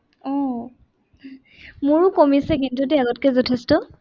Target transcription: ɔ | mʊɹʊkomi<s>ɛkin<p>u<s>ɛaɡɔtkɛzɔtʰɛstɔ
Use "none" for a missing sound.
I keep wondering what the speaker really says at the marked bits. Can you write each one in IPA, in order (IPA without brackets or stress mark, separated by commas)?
s, t, t